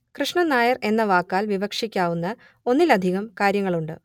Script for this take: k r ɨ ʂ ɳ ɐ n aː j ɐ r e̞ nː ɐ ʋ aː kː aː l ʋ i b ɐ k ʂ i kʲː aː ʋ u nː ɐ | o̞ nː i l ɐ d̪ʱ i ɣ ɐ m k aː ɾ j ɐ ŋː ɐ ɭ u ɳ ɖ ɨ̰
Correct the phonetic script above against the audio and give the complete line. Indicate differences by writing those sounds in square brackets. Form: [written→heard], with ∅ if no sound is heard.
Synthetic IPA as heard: k r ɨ ʂ ɳ ɐ n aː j ɐ r e̞ nː ɐ ʋ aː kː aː l ʋ i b ɐ k ʂ i kʲː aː ʋ u nː ɐ | o̞ nː i l ɐ d̪ʱ i ɣ ɐ m k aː ɾ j ɐ ŋː ɐ ɭ u ɳ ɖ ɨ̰